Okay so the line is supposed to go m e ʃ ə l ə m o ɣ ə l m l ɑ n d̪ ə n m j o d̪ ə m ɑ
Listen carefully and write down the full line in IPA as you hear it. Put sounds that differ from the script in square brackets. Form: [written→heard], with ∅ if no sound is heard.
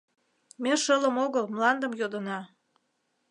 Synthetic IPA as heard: m e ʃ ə l ə m o ɣ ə l m l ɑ n d̪ ə [n→∅] m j o d̪ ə [m→n] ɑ